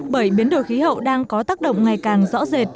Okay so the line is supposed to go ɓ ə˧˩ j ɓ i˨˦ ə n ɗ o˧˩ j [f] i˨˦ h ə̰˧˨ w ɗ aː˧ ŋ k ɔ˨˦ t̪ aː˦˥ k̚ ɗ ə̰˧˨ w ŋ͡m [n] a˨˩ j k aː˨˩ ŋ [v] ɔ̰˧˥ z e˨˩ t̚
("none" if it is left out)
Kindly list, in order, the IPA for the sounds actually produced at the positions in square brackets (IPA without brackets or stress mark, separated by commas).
x, ŋ, z